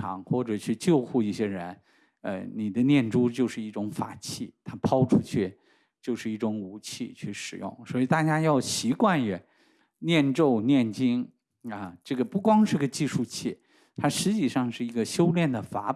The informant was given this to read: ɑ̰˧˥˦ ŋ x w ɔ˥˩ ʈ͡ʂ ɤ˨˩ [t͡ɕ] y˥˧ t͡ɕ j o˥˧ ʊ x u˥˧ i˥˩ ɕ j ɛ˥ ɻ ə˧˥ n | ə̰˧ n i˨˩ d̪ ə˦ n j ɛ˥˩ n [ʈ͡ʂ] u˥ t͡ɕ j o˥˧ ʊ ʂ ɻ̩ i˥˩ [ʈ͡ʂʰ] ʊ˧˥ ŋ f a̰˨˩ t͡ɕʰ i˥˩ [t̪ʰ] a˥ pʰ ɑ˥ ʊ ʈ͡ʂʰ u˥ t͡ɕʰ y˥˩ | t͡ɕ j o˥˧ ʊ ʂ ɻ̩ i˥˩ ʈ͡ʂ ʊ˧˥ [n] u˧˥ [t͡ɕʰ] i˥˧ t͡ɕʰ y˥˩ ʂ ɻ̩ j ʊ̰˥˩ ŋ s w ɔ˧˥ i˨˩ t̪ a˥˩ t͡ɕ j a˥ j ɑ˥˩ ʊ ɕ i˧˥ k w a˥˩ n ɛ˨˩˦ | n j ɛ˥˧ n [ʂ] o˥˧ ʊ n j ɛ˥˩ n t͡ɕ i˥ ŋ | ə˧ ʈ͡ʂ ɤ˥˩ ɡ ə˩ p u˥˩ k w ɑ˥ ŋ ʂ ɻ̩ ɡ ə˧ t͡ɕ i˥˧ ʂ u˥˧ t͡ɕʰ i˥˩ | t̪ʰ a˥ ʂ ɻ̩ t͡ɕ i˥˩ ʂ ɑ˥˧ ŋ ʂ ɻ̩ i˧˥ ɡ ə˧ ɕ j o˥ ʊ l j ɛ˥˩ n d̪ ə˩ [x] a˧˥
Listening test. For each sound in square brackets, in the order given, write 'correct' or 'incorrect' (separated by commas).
incorrect, correct, incorrect, correct, incorrect, correct, incorrect, incorrect